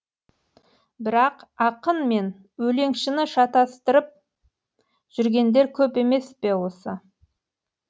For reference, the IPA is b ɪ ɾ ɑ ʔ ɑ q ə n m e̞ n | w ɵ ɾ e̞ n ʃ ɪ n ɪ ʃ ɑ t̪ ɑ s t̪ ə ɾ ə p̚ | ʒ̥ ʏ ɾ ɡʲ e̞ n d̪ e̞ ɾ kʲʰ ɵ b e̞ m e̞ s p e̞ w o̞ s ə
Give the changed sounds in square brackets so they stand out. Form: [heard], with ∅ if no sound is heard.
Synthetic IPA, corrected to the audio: b ɪ ɾ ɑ [q] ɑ q ə n m e̞ n | w ɵ [l] e̞ [ŋ] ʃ ɪ n ɪ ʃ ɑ t̪ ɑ s t̪ ə ɾ ə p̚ | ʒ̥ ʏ ɾ ɡʲ e̞ n d̪ e̞ ɾ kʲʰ ɵ [p] e̞ m e̞ s p e̞ w o̞ s ə

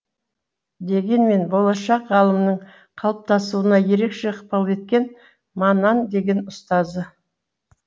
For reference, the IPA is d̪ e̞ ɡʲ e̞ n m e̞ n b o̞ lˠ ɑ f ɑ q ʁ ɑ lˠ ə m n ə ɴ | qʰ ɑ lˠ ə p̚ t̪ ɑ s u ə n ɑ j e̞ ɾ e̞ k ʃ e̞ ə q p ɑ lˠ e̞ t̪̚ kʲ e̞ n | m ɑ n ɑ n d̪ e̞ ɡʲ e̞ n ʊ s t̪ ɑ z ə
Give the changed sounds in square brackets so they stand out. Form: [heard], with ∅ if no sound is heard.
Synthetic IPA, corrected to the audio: d̪ e̞ ɡʲ e̞ n m e̞ n b o̞ lˠ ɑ [ʃ] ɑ q ʁ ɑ lˠ ə m n ə ɴ | qʰ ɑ lˠ ə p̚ t̪ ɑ s u ə n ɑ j e̞ ɾ e̞ k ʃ e̞ ə q p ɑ lˠ e̞ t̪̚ kʲ e̞ n | m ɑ n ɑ n d̪ e̞ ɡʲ e̞ n ʊ s t̪ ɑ z ə

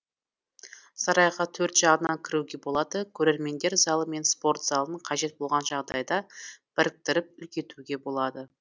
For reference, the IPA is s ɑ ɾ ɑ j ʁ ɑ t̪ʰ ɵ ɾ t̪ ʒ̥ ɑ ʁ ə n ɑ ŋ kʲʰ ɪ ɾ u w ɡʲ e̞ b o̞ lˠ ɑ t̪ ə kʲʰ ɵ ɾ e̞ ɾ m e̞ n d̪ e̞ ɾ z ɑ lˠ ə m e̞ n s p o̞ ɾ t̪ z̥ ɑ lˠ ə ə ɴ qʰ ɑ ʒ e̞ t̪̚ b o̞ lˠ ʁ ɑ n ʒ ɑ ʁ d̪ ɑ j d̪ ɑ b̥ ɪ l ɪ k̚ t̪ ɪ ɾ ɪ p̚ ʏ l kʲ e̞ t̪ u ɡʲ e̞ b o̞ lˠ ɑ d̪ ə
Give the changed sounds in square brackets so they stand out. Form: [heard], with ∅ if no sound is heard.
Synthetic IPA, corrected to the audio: s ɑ ɾ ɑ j ʁ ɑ t̪ʰ ɵ ɾ t̪ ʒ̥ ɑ ʁ ə n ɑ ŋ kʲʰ ɪ ɾ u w ɡʲ e̞ b o̞ lˠ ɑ [d̪] ə kʲʰ ɵ ɾ e̞ ɾ m e̞ n d̪ e̞ ɾ z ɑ lˠ ə m e̞ n s p o̞ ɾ t̪ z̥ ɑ lˠ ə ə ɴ qʰ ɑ ʒ e̞ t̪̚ b o̞ lˠ ʁ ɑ n ʒ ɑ ʁ d̪ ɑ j d̪ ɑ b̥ ɪ [ɾ] ɪ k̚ t̪ ɪ ɾ ɪ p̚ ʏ l kʲ e̞ t̪ u ɡʲ e̞ b o̞ lˠ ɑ d̪ ə

